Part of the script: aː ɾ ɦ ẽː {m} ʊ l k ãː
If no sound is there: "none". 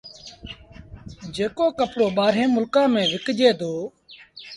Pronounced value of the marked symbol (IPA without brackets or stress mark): m